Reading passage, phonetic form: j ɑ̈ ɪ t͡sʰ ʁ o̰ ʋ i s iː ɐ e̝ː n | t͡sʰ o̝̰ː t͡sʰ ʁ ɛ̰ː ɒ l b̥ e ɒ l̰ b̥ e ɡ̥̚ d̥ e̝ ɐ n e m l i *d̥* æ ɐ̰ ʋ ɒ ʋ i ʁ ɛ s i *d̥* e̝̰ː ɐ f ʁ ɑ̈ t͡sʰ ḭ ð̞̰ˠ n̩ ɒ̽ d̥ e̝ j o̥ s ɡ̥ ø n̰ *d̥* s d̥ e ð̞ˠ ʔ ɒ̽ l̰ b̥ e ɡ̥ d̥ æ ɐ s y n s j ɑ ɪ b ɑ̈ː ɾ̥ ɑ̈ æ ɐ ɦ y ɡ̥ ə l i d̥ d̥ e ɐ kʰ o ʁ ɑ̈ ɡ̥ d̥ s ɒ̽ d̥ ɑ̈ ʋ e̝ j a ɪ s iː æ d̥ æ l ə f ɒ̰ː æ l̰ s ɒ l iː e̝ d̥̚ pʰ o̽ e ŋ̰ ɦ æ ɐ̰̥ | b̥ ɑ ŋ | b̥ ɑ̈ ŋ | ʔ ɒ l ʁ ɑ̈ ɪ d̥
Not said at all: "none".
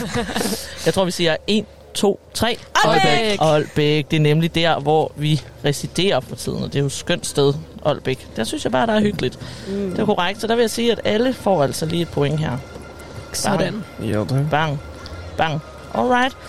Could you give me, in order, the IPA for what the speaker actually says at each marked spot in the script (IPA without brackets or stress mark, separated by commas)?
d̥, d̥, d̥